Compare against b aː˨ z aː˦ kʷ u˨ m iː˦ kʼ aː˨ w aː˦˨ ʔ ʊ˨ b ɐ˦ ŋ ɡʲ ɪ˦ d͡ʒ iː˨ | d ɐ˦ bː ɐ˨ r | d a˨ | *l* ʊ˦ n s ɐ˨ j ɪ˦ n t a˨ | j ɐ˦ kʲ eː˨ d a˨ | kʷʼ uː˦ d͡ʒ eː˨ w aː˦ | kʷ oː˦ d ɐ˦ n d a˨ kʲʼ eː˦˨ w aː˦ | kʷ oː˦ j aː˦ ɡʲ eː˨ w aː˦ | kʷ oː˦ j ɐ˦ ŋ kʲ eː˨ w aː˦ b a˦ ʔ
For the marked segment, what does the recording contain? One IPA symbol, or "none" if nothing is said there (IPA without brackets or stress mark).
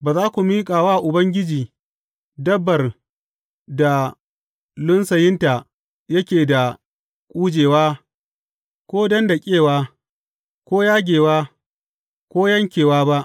l